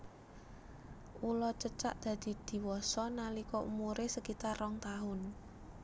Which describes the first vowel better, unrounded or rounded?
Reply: rounded